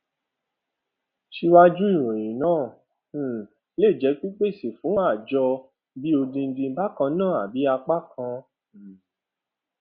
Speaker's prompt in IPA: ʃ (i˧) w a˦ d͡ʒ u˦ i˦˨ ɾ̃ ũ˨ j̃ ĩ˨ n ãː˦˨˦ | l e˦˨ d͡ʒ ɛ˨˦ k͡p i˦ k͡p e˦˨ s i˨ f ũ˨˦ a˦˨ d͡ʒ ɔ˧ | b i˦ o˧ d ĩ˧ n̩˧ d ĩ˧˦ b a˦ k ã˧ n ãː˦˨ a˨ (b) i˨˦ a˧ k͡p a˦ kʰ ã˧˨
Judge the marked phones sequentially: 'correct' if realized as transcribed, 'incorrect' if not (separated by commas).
correct, correct